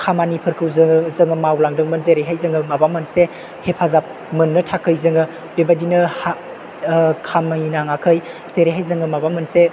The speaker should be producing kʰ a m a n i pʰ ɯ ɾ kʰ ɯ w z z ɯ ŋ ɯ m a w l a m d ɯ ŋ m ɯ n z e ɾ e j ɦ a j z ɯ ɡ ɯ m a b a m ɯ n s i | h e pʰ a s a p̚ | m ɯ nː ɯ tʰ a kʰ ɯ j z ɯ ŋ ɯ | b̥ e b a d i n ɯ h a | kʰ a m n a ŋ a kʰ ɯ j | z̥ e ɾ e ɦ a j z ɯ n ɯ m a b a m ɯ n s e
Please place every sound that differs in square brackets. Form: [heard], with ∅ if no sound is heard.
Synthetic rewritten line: kʰ a m a n i pʰ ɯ ɾ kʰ ɯ w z z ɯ ŋ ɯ m a w l a [ŋ] d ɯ ŋ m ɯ n z e ɾ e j ɦ a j z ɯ [ŋ] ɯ m a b a m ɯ n s [e] | h e pʰ a [z] a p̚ | m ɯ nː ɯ tʰ a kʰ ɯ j z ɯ ŋ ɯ | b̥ e b a d i n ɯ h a | kʰ a m n a ŋ a kʰ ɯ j | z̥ e ɾ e ɦ a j z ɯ [ŋ] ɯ m a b a m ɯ n s e